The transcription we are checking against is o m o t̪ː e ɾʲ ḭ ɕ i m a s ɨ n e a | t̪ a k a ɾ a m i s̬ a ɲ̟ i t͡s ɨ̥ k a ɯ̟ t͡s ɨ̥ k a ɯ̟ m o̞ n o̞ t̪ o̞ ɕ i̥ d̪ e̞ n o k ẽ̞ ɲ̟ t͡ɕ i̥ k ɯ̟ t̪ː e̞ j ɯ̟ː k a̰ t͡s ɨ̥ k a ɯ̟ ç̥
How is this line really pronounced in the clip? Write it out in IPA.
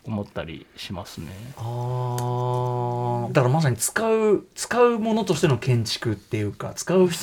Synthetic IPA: o m o t̪ː a ɾʲ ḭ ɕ i m a s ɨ n e a | d̪ a k a ɾ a m a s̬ a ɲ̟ i t͡s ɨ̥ k a ɯ̟ t͡s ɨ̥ k a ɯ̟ m o̞ n o̞ t̪ o̞ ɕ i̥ t̪ e̞ n o k ẽ̞ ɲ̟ t͡ɕ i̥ k ɯ̟ t̪ː e̞ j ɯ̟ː k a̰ t͡s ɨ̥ k a ɯ̟ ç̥